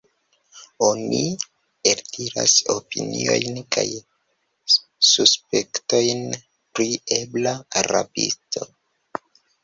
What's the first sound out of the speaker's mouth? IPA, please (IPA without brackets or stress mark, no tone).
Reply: o̞